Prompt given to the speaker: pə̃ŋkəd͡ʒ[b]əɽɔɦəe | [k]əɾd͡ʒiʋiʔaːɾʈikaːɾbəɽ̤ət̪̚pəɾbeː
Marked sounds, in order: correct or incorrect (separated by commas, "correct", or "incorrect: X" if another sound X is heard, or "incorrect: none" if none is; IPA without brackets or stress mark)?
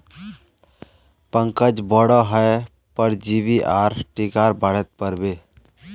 correct, incorrect: p